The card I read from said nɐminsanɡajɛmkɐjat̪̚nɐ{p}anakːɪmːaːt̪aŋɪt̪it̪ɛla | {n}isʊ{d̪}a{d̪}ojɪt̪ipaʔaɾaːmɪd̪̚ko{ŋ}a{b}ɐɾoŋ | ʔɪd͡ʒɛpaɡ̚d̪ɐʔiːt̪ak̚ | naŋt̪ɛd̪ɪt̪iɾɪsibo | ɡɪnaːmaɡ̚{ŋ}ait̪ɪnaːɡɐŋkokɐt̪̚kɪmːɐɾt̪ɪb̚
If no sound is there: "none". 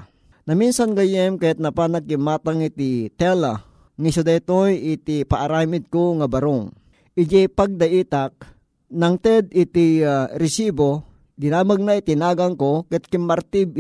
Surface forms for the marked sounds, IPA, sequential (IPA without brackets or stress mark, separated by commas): p, ŋ, d̪, t̪, ŋ, b, n